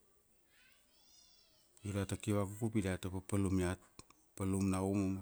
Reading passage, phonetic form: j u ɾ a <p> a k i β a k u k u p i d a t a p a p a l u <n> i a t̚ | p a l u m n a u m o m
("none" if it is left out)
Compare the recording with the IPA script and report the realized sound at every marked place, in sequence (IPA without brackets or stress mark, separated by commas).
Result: t, m